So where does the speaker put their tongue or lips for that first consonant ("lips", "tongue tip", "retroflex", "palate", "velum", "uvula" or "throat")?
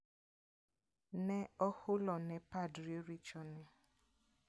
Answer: tongue tip